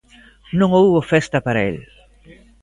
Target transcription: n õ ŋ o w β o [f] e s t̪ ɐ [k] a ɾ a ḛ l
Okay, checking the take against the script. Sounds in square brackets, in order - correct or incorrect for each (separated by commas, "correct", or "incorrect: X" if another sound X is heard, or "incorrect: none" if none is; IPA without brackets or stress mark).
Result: correct, incorrect: p